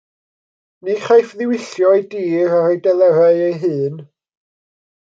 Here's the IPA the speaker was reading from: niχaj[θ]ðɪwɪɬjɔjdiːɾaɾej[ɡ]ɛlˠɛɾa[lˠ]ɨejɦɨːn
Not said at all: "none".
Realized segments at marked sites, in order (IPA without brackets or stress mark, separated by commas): f, d, none